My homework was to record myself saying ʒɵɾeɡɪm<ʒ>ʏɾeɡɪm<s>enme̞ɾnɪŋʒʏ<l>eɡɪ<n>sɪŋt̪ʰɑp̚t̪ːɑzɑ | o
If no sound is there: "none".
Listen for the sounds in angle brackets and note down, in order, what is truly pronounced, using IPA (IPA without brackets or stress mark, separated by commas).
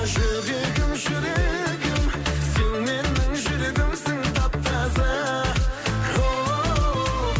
ʒ, s, ɾ, m